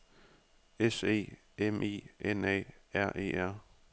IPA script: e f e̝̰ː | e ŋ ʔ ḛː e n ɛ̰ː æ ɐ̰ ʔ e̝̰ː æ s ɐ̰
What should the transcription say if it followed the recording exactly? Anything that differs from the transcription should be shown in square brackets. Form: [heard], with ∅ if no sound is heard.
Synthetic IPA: e [s] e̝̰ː | e [m] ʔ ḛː e n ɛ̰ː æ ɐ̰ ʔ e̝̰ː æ [∅] ɐ̰